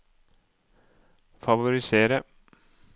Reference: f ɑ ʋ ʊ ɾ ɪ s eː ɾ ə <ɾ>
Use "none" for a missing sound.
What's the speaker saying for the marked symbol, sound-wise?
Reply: none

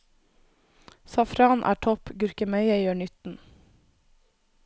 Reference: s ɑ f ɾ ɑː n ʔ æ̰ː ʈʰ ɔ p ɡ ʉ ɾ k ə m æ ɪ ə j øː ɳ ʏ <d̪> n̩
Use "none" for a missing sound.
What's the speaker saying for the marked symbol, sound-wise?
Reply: t̪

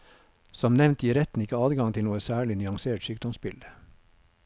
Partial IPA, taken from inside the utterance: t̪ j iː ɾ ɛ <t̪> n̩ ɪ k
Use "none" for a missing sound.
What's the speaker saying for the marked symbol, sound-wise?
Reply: t̪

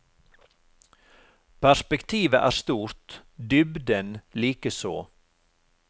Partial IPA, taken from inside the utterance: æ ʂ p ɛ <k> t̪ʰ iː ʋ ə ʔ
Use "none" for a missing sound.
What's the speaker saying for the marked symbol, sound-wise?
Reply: k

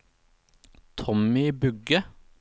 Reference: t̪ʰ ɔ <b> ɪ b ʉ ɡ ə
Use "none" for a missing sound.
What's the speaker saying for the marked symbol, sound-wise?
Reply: m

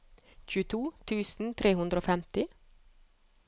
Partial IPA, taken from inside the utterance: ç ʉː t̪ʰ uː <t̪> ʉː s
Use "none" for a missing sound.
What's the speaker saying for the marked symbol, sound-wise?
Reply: t̪ʰ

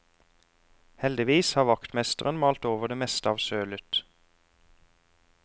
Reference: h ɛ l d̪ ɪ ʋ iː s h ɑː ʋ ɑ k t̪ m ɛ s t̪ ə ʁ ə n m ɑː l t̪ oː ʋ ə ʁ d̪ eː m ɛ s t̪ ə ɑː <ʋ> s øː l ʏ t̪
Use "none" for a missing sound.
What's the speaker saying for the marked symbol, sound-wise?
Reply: ʋ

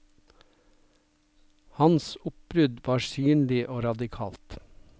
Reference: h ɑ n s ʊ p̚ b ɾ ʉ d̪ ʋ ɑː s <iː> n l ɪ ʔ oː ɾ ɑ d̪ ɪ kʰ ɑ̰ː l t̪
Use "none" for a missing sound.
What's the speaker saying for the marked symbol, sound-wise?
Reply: yː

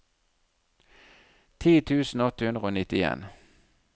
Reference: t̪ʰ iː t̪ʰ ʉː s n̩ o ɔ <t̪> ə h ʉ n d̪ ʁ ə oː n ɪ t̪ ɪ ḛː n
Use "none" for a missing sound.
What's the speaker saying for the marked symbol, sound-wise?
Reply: t̪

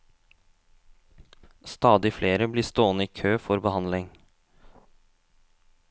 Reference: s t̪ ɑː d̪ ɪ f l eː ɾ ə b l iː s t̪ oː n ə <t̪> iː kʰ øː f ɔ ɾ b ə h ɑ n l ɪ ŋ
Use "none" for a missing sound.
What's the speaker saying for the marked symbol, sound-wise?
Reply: none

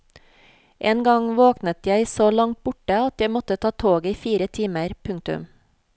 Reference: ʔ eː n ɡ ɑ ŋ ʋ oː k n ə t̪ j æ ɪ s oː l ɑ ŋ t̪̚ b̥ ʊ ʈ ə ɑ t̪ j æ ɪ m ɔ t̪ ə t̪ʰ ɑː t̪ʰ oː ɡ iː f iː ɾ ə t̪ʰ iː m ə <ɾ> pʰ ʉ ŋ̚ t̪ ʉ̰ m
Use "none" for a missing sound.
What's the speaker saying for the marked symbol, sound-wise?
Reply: ɾ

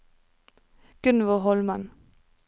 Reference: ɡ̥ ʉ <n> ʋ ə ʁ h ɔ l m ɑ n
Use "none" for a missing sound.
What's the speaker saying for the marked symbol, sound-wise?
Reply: n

